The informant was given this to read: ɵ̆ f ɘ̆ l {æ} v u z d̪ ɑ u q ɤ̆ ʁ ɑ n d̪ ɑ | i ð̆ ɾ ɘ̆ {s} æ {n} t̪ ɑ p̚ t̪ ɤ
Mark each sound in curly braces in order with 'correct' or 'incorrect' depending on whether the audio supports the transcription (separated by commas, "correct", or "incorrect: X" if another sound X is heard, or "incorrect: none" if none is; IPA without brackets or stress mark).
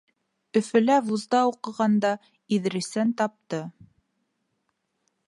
correct, correct, correct